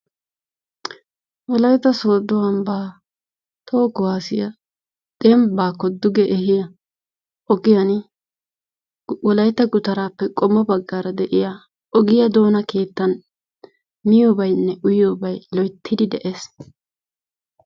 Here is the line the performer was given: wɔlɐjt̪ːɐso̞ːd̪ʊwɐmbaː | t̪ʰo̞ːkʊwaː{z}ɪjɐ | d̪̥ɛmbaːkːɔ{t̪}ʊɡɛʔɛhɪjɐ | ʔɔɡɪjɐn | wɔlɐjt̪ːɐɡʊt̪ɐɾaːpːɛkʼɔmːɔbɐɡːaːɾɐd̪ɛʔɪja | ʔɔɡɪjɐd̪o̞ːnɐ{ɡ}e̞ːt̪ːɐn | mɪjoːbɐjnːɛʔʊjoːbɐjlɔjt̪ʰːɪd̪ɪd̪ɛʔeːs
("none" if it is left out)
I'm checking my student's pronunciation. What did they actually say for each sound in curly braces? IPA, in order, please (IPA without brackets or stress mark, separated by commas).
s, d̪, k